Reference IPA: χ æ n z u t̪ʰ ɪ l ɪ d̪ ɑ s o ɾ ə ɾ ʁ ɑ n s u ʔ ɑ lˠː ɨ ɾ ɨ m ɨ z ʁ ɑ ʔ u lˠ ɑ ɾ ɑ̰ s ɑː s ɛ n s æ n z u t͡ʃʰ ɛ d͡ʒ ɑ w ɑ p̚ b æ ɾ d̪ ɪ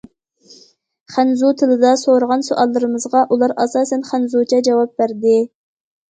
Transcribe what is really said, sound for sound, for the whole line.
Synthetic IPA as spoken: χ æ n z u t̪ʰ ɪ l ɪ d̪ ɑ s o ɾ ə ʁ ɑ n s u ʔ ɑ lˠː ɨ ɾ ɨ m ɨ z ʁ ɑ ʔ u lˠ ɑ ɾ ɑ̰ s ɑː s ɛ n χ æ n z u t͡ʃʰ ɛ d͡ʒ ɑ w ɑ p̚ b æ ɾ d̪ ɪ